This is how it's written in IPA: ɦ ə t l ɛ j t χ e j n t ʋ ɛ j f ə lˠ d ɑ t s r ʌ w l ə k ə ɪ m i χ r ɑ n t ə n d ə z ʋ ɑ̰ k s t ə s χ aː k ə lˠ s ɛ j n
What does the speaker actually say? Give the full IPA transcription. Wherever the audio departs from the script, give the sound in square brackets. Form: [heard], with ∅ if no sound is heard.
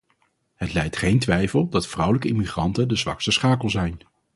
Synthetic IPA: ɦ ə t l ɛ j t χ e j n t ʋ ɛ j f ə lˠ d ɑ t [f] r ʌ w l ə k ə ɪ m i χ r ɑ n t ə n d ə z ʋ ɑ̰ k s t ə s χ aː k ə lˠ [z] ɛ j n